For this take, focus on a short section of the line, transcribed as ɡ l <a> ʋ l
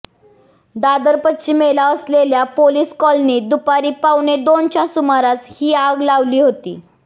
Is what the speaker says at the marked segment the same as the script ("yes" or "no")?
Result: yes